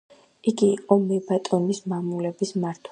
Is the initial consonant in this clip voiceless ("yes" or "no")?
no